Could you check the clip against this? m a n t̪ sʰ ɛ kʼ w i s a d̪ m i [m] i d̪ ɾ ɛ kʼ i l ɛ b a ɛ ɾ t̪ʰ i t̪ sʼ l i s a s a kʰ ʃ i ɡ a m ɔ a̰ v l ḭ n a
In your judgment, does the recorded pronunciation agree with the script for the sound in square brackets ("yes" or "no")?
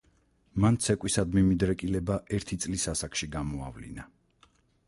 yes